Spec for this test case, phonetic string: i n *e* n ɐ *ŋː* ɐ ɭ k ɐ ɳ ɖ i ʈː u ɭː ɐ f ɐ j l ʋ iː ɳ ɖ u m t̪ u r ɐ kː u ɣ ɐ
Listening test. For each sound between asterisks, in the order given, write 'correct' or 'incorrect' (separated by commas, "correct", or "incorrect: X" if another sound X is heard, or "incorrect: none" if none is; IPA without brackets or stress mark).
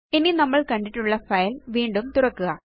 incorrect: i, incorrect: mː